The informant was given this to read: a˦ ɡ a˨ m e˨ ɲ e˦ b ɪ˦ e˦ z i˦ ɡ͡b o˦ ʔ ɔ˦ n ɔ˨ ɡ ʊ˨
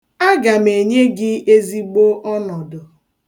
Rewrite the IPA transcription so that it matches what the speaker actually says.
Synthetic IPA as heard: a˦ ɡ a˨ m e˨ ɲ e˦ ɡ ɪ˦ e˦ z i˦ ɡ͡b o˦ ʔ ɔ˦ n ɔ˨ d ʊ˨